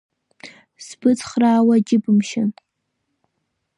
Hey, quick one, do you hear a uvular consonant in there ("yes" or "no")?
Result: yes